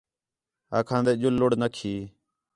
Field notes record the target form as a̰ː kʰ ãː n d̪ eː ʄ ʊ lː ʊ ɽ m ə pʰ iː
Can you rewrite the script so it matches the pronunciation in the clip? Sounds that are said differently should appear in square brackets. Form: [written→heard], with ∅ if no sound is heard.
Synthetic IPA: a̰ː kʰ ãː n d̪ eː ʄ ʊ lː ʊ ɽ [m→n] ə [pʰ→kʰ] iː